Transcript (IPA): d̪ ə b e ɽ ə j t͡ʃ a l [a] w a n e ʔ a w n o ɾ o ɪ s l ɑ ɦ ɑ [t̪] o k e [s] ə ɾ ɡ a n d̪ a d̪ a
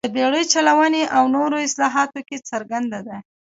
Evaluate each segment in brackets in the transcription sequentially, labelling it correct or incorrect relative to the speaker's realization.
correct, correct, incorrect

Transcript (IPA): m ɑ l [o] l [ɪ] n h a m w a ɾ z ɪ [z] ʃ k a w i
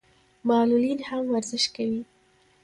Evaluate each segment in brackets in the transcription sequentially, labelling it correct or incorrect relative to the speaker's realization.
incorrect, incorrect, incorrect

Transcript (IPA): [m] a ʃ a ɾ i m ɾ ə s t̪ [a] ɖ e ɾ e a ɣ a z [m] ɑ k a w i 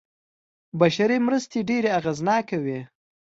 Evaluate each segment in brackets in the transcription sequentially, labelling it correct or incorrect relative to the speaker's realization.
incorrect, incorrect, incorrect

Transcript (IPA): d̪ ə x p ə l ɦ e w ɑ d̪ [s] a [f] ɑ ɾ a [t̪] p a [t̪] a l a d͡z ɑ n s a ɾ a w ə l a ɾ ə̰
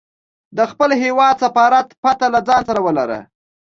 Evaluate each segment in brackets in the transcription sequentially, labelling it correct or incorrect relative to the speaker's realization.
correct, correct, correct, correct

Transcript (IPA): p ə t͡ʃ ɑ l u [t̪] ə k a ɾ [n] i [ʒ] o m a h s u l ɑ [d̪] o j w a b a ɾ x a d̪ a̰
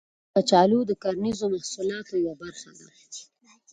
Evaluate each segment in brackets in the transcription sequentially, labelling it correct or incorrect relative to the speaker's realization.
incorrect, correct, incorrect, incorrect

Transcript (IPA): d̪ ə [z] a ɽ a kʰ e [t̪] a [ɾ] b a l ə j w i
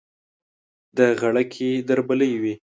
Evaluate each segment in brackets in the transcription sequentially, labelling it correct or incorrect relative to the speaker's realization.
incorrect, incorrect, correct

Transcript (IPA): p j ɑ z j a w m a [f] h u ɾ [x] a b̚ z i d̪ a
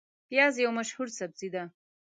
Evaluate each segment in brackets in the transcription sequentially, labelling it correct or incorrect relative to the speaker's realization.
incorrect, incorrect

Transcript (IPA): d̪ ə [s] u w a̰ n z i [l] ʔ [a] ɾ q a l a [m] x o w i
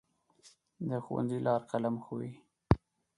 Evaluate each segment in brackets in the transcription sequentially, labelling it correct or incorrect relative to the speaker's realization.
incorrect, correct, incorrect, correct

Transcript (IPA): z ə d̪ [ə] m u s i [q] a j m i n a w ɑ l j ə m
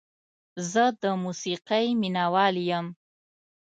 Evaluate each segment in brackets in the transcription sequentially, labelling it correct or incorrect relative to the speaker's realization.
correct, correct

